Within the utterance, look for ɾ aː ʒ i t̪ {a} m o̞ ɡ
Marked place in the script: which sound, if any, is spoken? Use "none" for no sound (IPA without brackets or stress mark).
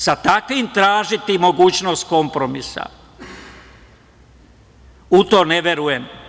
i